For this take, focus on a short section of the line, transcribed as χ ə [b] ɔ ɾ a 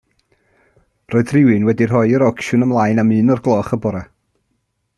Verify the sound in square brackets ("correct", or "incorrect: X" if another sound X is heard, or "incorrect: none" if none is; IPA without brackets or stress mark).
correct